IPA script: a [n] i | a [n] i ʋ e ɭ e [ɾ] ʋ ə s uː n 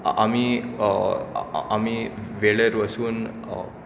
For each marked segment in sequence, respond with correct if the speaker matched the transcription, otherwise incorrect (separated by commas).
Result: incorrect, incorrect, correct